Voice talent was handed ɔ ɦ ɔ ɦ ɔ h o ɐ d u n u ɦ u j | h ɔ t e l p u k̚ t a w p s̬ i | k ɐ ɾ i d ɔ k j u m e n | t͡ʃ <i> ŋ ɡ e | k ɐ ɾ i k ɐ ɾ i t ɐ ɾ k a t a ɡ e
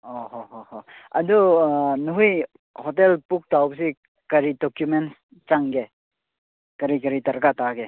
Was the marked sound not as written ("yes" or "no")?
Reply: yes